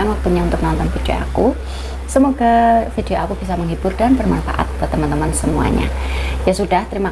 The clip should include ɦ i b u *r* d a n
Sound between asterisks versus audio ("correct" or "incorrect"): correct